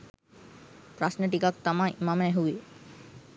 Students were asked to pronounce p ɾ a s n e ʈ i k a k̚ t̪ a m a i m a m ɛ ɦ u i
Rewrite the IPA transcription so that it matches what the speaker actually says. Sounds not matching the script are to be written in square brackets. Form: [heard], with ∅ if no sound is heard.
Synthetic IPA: p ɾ a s n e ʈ i k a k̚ t̪ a m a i m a m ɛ ɦ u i